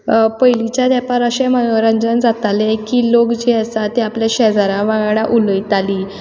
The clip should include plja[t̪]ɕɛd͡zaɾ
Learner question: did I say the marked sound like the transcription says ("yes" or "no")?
no